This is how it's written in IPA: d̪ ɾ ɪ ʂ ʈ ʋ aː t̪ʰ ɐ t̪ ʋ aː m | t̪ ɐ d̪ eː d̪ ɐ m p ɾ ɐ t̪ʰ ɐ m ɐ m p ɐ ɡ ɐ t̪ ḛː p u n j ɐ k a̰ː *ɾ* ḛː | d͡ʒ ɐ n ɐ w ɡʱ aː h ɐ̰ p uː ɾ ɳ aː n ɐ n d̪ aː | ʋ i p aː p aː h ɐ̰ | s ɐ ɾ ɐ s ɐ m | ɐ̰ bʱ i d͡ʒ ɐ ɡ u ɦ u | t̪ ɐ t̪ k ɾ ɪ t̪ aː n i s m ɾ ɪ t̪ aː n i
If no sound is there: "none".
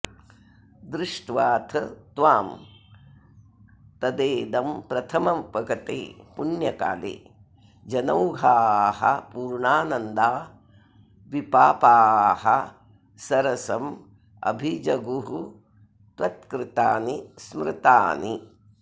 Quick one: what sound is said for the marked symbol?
l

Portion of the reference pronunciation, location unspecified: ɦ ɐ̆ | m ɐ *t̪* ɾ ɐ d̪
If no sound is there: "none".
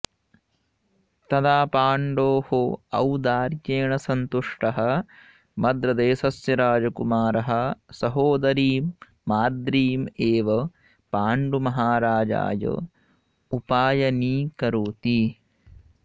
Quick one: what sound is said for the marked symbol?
d̪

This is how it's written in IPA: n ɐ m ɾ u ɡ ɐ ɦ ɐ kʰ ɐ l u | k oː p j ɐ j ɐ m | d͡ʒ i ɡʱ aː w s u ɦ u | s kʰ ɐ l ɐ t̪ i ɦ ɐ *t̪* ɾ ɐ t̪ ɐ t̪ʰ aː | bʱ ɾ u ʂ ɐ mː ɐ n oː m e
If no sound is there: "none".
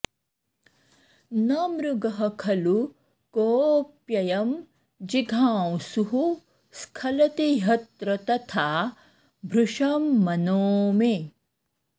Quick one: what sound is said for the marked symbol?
t̪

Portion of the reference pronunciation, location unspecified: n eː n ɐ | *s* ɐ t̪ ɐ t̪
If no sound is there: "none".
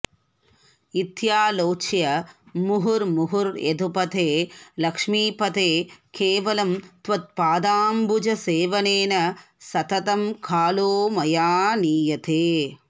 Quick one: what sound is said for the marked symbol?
s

